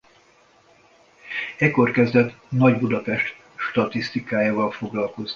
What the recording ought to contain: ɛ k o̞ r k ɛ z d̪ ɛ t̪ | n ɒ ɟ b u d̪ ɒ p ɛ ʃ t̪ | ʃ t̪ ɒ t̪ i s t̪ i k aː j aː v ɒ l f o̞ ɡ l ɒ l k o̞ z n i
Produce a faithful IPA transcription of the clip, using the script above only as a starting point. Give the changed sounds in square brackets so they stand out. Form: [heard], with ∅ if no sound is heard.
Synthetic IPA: ɛ k o̞ r k ɛ z d̪ ɛ t̪ | n ɒ ɟ b u d̪ ɒ p ɛ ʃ t̪ | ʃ t̪ ɒ t̪ i s t̪ i k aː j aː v ɒ l f o̞ ɡ l ɒ l k o̞ z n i